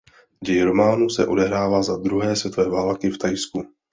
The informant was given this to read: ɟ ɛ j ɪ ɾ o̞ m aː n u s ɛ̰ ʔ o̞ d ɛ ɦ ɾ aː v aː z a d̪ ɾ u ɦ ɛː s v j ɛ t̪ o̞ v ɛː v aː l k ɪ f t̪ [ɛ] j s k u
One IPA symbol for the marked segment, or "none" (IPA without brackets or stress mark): a